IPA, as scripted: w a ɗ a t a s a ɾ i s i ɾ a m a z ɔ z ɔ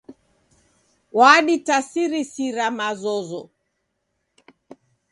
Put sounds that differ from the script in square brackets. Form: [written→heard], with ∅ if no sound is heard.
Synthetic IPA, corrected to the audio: w a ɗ [a→i] t a s [a→i] ɾ i s i ɾ a m a z ɔ z ɔ